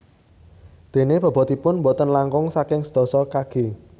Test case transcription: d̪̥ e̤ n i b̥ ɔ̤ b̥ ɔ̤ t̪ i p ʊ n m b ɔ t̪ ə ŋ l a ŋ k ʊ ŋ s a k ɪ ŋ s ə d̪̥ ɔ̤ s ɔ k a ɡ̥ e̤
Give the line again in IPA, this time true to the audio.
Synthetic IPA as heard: d̪̥ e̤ n e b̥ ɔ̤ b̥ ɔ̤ t̪ i p ʊ n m b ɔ t̪ ə n l a ŋ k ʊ ŋ s a k ɪ ŋ s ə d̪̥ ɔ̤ s ɔ k a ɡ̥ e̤